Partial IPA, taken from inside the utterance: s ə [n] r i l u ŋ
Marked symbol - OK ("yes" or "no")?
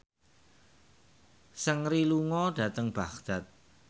no